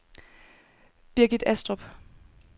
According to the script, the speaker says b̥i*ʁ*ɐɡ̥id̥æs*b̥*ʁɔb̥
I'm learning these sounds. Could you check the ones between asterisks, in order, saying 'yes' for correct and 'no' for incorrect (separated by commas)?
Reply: no, no